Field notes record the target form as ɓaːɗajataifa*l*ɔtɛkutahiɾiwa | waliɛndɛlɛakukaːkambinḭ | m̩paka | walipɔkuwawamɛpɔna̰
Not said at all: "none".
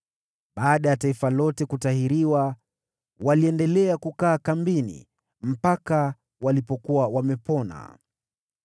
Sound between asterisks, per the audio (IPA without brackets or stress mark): l